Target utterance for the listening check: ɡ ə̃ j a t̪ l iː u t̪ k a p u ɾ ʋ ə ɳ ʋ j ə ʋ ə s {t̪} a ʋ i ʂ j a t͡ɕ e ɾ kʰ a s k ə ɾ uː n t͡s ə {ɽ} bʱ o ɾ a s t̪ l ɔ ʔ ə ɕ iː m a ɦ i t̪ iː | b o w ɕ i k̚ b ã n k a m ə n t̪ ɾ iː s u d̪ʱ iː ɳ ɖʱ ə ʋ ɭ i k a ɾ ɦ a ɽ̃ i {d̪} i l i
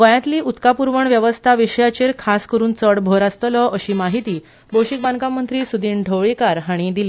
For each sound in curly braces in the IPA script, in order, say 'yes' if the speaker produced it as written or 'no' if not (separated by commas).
no, yes, yes